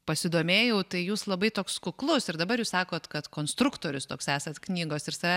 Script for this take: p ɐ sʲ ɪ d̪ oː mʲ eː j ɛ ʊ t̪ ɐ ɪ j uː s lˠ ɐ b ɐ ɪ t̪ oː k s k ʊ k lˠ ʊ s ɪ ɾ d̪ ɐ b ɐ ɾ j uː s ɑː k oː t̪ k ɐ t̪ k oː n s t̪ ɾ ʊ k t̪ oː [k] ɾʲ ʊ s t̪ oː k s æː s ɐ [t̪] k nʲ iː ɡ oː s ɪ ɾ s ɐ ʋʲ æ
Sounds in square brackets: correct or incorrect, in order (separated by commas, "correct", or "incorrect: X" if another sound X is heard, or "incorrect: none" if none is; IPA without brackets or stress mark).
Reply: incorrect: none, correct